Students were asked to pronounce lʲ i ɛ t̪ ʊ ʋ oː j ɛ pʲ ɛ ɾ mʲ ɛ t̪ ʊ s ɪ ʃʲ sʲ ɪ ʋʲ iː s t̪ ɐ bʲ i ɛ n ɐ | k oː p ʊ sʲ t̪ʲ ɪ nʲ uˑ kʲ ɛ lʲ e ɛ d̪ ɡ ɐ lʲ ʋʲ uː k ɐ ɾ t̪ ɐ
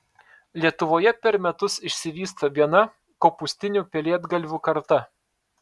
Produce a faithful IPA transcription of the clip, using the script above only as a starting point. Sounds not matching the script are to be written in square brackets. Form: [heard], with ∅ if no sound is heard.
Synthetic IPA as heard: lʲ i ɛ t̪ ʊ ʋ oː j ɛ pʲ ɛ ɾ mʲ ɛ t̪ ʊ s ɪ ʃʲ sʲ ɪ ʋʲ iː s t̪ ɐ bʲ i ɛ n ɐ | k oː p ʊ sʲ t̪ʲ ɪ nʲ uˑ [pʲ] ɛ lʲ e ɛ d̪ ɡ ɐ lʲ ʋʲ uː k ɐ ɾ t̪ ɐ